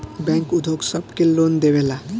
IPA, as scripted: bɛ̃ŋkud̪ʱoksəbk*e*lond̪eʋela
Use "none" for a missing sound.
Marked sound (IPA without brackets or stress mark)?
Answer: e